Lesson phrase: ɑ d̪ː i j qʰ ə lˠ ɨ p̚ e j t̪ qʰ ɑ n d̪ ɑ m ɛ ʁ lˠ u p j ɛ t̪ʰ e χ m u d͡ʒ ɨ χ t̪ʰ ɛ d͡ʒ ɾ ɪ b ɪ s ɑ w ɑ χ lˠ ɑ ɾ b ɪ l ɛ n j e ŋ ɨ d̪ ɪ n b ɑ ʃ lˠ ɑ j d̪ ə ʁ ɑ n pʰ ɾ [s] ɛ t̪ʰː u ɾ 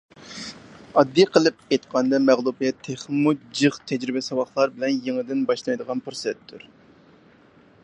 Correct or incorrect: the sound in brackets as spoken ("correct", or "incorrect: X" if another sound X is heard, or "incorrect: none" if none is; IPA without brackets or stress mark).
correct